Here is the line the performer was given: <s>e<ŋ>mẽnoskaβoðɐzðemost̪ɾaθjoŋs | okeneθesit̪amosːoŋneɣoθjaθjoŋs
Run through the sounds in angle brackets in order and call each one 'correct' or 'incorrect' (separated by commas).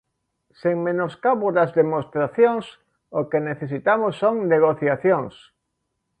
correct, correct